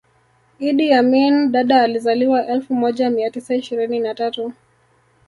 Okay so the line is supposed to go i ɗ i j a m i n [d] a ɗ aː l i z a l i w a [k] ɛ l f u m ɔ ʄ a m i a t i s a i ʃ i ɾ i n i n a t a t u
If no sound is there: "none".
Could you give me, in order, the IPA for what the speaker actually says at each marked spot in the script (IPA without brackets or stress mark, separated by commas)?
ɗ, ʔ